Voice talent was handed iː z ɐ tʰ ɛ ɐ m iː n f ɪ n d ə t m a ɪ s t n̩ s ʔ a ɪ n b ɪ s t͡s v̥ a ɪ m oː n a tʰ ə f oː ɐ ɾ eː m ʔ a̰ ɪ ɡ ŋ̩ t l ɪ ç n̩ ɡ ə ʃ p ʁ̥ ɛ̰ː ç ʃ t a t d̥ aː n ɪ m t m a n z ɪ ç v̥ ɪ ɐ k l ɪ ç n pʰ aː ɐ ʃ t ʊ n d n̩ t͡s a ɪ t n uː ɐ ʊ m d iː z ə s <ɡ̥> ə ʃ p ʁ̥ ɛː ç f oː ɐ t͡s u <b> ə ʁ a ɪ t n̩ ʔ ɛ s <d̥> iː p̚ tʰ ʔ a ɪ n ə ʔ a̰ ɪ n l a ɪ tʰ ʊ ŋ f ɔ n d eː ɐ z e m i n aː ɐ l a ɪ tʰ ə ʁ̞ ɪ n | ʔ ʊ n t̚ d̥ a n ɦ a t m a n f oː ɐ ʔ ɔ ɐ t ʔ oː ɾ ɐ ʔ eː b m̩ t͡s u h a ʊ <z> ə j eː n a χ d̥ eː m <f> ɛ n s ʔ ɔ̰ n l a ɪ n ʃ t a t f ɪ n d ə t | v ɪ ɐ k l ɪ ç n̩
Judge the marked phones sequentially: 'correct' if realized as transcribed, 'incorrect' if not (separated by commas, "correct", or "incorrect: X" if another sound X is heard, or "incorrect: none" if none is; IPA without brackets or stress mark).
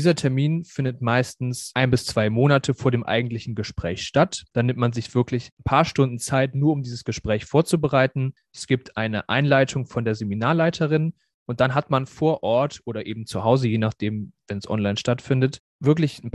correct, correct, incorrect: ɡ̥, correct, incorrect: v